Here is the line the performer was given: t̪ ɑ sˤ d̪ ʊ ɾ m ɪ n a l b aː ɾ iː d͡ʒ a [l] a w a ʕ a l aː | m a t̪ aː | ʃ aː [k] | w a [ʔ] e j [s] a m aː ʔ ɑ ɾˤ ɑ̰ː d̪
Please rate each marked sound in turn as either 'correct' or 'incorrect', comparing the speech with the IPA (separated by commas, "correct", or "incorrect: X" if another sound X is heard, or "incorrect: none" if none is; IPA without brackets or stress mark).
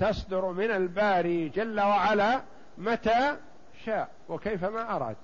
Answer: incorrect: lː, incorrect: ʔ, incorrect: k, incorrect: f